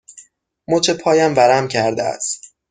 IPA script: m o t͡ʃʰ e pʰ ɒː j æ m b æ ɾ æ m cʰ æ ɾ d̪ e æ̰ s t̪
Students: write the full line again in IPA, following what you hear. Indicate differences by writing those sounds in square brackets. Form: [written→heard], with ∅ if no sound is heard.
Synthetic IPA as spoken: m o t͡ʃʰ e pʰ ɒː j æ m [b→v] æ ɾ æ m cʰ æ ɾ d̪ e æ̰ s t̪

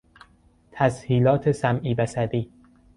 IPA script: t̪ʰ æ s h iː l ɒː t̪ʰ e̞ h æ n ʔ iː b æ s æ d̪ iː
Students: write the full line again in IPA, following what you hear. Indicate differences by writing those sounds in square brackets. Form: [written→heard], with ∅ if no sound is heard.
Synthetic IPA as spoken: t̪ʰ æ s h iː l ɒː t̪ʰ e̞ [h→s] æ [n→m] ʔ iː b æ s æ d̪ iː

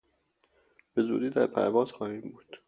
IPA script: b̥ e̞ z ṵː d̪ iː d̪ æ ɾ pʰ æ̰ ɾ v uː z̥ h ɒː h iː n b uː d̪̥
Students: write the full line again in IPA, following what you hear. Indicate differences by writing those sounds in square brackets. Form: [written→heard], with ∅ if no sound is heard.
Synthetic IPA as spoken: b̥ e̞ z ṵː d̪ iː d̪ æ ɾ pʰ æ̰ ɾ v [uː→ɒː] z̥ [h→x] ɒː h iː [n→m] b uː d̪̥

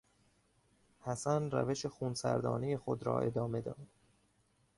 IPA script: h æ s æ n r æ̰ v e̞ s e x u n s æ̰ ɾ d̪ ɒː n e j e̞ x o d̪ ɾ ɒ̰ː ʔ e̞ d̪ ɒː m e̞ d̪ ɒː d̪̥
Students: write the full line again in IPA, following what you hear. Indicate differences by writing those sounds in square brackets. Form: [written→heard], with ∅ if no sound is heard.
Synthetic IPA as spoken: h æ s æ n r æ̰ v e̞ [s→ʃ] e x u n s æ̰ ɾ d̪ ɒː n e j e̞ x o d̪ ɾ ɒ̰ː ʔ e̞ d̪ ɒː m e̞ d̪ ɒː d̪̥

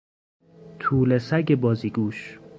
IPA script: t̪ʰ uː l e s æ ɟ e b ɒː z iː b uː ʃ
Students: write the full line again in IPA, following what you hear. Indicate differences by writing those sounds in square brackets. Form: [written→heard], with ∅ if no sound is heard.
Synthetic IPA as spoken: t̪ʰ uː l e s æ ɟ e b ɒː z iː [b→ɡ] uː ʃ

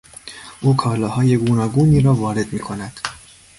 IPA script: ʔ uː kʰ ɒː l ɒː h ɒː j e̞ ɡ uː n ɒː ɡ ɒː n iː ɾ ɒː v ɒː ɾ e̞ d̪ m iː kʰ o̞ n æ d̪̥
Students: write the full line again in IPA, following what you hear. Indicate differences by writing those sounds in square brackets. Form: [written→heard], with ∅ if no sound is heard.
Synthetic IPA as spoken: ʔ uː kʰ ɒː l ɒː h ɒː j e̞ ɡ uː n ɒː ɡ [ɒː→uː] n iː ɾ ɒː v ɒː ɾ e̞ d̪ m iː kʰ o̞ n æ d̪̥

